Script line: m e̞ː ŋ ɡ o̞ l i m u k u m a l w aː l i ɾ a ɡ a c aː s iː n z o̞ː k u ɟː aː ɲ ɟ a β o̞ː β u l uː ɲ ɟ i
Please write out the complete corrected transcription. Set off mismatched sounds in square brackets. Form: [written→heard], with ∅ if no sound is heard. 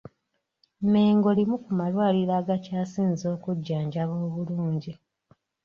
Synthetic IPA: m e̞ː ŋ ɡ o̞ l i m u k u m a l w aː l i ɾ a ɡ a c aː s iː n z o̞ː k u ɟː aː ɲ ɟ a β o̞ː β u l uː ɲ ɟ i